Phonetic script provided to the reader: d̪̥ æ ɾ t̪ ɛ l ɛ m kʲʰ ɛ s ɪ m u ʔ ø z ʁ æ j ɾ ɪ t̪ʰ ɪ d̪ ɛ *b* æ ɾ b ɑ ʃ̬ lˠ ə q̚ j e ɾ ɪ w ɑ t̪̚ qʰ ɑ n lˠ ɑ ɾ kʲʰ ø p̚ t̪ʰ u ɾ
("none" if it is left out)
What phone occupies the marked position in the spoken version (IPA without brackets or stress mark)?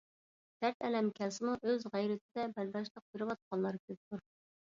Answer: b